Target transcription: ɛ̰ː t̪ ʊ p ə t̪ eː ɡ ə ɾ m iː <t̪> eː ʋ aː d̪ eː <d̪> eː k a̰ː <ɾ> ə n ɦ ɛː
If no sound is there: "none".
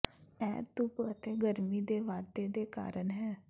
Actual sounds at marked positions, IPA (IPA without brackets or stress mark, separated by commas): d̪, d̪, ɾ